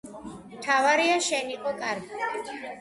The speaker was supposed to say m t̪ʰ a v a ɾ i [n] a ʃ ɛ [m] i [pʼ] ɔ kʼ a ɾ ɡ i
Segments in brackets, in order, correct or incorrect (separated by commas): incorrect, incorrect, incorrect